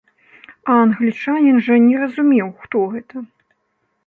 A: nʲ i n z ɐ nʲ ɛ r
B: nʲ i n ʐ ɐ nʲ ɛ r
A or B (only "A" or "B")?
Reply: B